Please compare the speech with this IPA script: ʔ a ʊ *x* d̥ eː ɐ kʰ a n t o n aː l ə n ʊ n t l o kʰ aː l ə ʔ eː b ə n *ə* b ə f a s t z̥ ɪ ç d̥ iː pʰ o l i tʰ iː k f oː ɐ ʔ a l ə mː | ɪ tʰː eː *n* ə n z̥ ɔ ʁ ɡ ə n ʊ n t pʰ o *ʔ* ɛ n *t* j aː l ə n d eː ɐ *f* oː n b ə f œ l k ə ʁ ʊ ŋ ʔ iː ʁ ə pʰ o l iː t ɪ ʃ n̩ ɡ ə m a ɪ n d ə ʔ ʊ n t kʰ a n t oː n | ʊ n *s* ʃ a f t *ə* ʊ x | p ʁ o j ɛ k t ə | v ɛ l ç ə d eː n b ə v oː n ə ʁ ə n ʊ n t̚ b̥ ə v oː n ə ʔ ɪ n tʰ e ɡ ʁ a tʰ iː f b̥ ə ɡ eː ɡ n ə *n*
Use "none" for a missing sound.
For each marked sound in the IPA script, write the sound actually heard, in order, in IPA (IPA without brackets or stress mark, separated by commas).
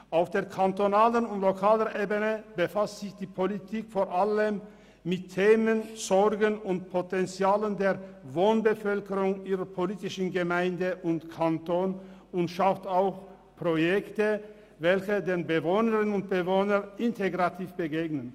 f, ə, m, t, t͡s, v, t, a, n